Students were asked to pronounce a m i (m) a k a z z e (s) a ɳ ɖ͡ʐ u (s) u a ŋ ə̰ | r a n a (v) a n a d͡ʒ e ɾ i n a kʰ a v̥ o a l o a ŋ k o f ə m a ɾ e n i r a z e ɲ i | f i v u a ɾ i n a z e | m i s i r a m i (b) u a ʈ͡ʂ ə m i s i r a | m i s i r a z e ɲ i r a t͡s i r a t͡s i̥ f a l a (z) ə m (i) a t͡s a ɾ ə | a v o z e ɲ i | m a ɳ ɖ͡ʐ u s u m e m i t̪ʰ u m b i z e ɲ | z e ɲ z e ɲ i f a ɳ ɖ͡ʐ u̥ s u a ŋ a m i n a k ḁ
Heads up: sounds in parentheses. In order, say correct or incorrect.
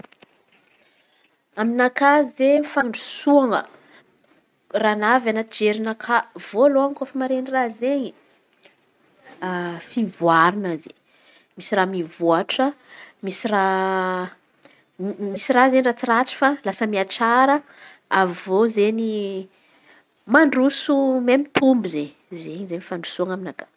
incorrect: n, incorrect: f, correct, correct, incorrect: v, incorrect: s, correct

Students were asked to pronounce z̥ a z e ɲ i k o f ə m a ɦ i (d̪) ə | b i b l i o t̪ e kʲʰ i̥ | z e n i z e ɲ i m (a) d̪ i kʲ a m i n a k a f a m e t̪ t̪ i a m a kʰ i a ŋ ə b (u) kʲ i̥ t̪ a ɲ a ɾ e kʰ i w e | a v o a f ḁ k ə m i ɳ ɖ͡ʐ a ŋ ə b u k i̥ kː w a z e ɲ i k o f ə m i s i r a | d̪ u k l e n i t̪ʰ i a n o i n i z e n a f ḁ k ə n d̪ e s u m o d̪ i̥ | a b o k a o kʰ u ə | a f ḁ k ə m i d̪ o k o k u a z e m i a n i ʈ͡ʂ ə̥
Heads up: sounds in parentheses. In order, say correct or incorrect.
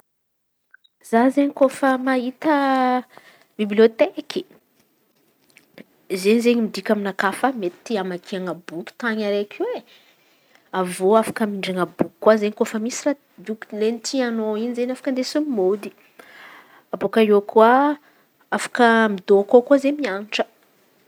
incorrect: t̪, incorrect: i, correct

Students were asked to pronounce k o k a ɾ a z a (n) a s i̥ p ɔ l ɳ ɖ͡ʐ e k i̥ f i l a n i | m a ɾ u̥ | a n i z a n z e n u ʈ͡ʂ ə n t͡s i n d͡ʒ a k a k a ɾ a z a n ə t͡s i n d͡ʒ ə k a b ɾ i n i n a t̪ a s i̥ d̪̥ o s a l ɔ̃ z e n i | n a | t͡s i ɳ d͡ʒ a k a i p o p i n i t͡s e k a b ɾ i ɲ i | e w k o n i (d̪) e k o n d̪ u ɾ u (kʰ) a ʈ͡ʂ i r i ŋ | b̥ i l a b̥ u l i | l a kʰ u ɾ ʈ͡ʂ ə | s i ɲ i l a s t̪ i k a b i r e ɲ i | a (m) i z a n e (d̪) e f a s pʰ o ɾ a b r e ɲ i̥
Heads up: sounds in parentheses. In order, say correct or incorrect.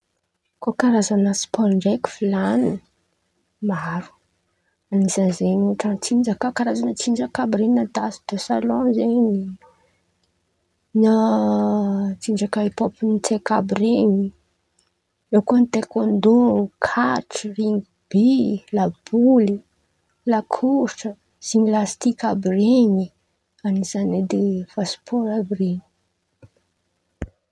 correct, incorrect: t̪, correct, incorrect: n, correct

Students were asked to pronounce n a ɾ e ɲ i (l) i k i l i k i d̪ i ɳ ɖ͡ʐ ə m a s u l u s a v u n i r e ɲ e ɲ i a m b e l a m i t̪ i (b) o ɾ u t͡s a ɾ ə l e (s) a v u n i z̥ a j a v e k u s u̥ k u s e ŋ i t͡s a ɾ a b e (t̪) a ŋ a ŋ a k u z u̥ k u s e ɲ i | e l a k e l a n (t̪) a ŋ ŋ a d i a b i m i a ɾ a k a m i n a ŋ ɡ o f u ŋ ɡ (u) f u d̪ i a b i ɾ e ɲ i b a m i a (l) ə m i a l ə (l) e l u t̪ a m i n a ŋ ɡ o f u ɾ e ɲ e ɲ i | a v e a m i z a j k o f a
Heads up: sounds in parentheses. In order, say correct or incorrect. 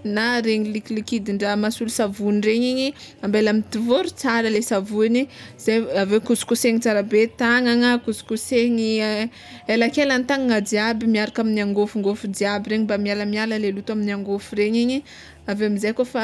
correct, incorrect: v, correct, correct, correct, incorrect: o, correct, correct

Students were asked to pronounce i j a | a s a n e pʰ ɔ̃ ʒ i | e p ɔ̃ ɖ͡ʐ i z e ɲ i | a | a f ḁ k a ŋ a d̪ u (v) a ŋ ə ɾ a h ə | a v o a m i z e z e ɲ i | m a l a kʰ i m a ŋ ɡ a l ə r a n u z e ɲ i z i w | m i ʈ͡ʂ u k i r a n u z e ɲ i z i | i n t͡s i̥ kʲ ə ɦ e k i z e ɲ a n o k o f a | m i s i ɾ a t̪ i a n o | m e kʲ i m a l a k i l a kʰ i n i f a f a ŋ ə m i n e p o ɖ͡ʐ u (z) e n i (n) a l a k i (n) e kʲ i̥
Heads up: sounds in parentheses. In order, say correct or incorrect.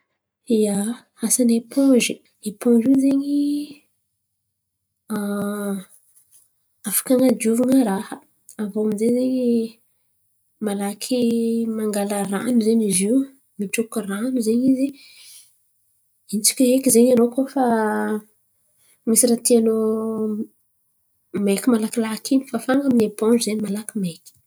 correct, correct, incorrect: m, incorrect: m

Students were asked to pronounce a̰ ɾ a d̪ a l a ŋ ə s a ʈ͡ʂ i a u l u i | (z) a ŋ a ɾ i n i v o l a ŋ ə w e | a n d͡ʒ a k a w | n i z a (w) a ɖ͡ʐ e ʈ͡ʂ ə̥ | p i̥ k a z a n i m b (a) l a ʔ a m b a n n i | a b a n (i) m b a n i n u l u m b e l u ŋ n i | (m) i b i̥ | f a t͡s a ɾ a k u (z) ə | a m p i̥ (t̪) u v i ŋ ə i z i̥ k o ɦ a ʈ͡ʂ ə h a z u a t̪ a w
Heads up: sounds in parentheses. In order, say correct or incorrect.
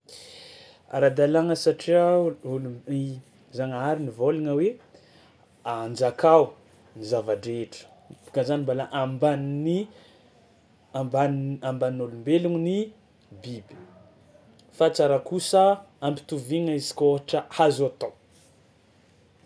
correct, incorrect: v, correct, incorrect: a, incorrect: b, incorrect: s, correct

